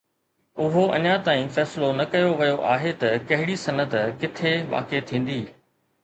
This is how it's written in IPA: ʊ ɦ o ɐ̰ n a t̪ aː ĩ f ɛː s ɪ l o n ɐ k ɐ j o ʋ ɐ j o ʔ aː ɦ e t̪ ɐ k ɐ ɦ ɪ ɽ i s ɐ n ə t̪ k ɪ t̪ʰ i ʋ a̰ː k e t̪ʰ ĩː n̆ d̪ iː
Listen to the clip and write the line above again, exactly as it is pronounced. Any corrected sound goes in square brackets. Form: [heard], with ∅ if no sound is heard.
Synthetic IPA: ʊ ɦ o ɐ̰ [ɲ] a t̪ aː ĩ f ɛː s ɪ l o n ɐ k ɐ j o ʋ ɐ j o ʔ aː ɦ e t̪ ɐ k ɐ ɦ ɪ ɽ i s ɐ n ə t̪ k ɪ t̪ʰ [e] ʋ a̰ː k e t̪ʰ ĩː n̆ d̪ iː